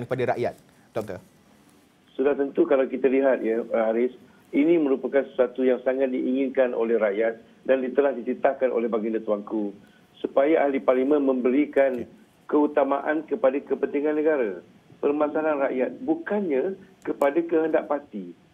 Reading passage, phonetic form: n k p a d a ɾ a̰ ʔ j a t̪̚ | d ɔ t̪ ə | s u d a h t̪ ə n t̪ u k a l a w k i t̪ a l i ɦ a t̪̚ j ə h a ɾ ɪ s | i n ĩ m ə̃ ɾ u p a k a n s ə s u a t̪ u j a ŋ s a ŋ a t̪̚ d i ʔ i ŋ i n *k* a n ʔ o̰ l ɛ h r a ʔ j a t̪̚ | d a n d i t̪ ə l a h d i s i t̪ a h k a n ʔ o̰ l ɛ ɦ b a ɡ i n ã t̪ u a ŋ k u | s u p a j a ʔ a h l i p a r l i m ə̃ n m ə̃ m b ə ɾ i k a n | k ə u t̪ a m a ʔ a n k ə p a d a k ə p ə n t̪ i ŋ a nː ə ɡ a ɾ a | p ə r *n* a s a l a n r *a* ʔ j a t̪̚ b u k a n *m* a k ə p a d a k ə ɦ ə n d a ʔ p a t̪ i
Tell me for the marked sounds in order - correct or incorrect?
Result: correct, incorrect: m, correct, incorrect: ɲ

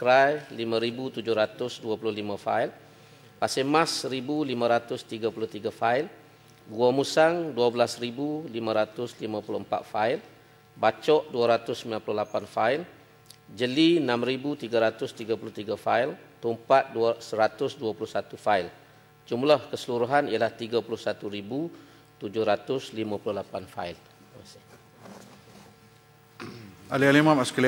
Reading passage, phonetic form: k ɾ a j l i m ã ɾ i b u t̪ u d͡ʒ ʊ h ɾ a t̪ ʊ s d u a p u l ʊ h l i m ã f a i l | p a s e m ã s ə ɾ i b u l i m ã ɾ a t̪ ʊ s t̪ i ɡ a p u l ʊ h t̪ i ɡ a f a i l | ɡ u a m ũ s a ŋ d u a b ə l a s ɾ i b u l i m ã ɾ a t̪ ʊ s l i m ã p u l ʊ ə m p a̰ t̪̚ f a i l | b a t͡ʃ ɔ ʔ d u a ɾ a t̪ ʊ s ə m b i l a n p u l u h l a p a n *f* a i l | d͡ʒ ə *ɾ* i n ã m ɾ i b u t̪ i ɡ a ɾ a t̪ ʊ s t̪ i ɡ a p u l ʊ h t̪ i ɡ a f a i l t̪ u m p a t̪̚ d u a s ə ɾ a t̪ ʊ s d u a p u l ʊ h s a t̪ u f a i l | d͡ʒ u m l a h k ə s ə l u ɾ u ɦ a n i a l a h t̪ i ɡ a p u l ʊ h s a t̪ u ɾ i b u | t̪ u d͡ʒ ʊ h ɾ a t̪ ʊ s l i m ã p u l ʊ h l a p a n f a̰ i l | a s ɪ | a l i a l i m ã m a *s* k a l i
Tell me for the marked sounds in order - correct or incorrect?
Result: correct, incorrect: l, correct

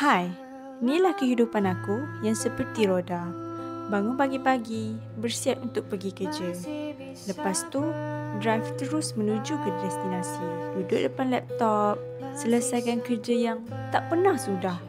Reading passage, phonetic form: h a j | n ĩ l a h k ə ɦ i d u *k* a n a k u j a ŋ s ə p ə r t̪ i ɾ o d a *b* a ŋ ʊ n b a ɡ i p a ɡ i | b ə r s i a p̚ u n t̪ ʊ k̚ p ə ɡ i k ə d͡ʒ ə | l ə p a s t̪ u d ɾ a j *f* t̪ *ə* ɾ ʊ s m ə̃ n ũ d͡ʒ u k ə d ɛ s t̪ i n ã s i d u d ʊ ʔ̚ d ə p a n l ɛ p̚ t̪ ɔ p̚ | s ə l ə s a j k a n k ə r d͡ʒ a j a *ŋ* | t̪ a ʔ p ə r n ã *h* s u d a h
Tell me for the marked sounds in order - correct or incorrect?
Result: incorrect: p, correct, correct, correct, correct, correct

